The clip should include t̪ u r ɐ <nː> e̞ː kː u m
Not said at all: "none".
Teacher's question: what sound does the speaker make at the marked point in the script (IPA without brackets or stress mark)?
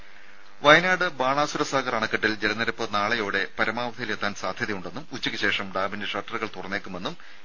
nː